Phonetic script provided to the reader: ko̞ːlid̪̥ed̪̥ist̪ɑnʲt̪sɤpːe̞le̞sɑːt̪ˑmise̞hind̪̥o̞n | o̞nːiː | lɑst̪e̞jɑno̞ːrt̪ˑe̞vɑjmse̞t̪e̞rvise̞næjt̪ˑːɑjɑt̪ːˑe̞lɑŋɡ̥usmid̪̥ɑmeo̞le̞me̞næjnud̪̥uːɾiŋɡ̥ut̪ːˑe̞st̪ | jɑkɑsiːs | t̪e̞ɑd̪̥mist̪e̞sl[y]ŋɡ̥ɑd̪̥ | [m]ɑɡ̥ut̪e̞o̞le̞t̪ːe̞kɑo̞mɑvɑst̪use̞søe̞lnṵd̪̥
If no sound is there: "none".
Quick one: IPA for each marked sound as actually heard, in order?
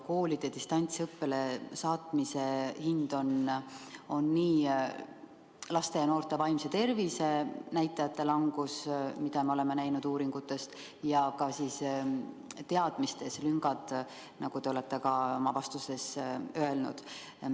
y, n

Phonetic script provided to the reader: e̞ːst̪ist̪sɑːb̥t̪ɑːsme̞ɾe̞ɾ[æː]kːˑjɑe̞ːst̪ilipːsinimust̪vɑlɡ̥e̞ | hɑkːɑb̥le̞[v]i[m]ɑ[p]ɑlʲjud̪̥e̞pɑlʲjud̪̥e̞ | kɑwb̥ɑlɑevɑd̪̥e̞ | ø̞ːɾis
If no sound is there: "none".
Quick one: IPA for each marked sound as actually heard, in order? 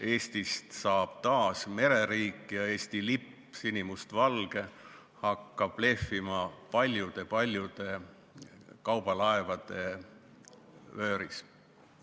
iː, f, m, p

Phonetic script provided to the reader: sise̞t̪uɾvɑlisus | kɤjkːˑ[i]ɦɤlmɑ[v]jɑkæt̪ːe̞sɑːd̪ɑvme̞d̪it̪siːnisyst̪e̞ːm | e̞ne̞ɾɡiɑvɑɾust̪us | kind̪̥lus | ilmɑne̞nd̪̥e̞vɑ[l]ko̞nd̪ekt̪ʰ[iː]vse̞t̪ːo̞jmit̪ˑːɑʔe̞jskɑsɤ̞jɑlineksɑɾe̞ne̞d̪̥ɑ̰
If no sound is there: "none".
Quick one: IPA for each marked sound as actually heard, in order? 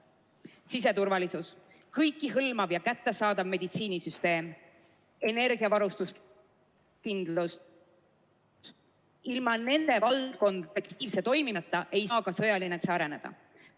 i, v, l, iː

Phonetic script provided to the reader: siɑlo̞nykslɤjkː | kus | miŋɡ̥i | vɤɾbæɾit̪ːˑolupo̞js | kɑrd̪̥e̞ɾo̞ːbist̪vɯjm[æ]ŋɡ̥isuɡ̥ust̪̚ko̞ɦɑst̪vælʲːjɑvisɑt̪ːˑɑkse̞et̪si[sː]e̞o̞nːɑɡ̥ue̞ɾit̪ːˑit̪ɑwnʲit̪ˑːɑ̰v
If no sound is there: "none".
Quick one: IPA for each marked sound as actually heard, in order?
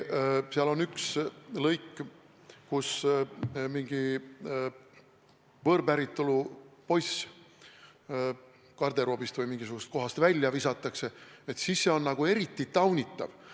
i, sː

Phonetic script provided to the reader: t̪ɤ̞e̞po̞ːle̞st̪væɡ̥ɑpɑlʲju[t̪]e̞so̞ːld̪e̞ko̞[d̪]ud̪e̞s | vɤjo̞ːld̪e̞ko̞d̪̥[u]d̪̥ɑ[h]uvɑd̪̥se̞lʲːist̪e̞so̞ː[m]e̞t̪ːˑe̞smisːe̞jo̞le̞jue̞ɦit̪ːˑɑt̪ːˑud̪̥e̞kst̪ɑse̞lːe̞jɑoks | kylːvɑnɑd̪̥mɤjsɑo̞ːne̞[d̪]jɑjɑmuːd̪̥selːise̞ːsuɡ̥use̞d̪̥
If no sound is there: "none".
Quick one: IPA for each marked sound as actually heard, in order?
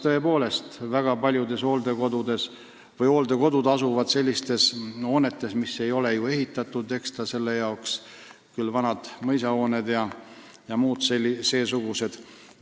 d̪, d̪, u, s, n, d̪

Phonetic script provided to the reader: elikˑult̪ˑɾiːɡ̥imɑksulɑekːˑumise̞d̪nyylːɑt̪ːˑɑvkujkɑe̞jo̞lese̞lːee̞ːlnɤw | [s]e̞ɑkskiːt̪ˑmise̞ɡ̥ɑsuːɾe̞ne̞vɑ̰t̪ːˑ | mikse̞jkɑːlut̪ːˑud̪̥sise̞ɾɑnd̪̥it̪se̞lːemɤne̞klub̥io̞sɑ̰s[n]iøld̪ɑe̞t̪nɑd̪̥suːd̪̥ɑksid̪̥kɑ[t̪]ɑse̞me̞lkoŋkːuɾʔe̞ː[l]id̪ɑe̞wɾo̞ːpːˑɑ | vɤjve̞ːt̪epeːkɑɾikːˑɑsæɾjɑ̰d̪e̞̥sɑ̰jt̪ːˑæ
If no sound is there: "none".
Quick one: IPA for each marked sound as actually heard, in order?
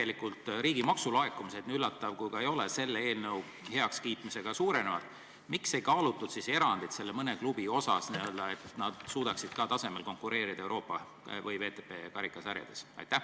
h, n, t̪, ɾ

